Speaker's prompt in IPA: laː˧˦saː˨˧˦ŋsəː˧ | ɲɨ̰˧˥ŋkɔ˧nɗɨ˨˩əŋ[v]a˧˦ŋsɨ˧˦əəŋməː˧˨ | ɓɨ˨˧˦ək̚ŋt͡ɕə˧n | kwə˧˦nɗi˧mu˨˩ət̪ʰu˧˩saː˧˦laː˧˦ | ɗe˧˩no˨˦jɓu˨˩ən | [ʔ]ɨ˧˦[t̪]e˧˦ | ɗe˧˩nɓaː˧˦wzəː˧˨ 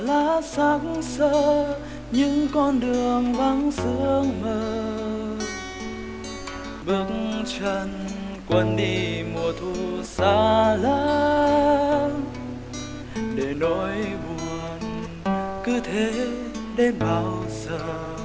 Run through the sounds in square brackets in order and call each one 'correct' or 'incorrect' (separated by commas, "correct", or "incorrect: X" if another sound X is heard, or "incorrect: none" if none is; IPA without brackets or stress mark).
correct, incorrect: k, incorrect: t̪ʰ